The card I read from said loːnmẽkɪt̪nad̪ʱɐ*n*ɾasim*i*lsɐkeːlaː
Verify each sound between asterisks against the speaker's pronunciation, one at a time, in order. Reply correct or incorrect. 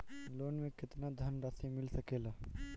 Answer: correct, incorrect

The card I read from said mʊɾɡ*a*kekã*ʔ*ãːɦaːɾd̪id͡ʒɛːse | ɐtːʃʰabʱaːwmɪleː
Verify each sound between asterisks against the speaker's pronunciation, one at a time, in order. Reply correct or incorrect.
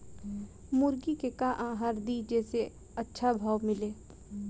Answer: incorrect, correct

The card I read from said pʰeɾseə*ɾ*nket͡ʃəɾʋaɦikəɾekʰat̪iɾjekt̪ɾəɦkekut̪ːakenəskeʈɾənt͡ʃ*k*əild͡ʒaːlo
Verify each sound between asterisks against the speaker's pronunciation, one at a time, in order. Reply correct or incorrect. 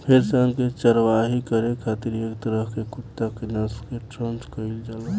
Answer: incorrect, correct

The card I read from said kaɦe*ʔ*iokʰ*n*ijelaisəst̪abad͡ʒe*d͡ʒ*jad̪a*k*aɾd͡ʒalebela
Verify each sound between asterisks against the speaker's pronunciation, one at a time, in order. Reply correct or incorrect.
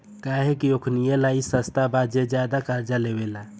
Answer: incorrect, correct, correct, correct

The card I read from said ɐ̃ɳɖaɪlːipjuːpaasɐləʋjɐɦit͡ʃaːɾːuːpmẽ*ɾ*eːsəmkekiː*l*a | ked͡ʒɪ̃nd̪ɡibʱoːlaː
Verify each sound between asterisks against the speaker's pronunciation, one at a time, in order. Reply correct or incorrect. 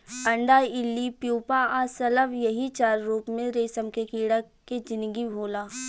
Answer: correct, incorrect

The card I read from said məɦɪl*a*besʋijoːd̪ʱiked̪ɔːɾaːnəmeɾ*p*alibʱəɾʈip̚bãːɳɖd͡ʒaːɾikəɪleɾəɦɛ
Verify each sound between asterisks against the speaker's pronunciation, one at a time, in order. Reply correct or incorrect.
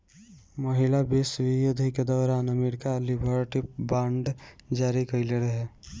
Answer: correct, incorrect

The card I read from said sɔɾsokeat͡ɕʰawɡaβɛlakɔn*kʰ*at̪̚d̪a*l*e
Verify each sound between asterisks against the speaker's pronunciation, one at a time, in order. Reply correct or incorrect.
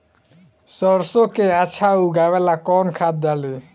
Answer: correct, correct

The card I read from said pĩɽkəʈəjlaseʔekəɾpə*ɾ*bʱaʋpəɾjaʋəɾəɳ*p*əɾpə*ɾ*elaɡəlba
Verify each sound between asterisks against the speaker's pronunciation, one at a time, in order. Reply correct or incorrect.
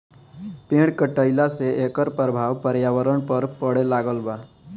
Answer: correct, correct, incorrect

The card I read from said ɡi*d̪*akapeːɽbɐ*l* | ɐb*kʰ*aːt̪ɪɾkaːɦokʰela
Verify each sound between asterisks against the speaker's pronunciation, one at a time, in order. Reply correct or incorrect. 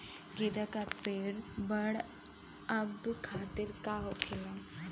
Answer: correct, incorrect, correct

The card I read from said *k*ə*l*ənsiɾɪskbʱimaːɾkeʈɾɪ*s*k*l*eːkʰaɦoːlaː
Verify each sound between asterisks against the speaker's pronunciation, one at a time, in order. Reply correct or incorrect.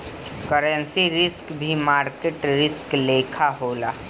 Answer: correct, incorrect, correct, correct

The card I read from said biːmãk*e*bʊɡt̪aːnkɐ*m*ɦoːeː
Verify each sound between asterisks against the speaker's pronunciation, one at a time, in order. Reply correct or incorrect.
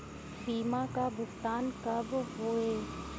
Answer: incorrect, incorrect

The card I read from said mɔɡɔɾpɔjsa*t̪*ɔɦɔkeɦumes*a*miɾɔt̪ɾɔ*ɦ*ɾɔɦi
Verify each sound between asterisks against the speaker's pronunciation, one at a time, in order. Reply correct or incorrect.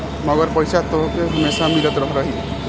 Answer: correct, correct, correct

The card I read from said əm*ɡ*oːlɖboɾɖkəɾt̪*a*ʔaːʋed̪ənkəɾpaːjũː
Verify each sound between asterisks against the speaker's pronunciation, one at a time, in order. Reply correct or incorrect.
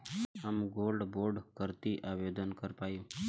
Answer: correct, incorrect

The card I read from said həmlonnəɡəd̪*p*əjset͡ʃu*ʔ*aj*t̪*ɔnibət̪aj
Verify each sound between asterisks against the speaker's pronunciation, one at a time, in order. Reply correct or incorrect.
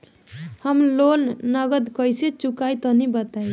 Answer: incorrect, incorrect, correct

